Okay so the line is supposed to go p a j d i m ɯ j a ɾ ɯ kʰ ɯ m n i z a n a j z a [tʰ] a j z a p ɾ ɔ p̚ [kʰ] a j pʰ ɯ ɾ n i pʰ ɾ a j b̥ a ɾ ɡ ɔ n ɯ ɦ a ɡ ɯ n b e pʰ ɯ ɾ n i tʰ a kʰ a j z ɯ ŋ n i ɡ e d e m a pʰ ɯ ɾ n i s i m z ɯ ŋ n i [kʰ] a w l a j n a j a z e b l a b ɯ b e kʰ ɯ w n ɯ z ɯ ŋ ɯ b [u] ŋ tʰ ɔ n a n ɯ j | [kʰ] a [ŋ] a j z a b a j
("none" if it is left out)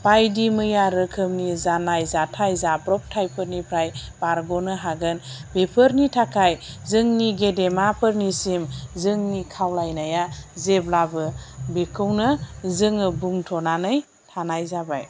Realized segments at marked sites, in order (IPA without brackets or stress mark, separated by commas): tʰ, tʰ, kʰ, u, tʰ, n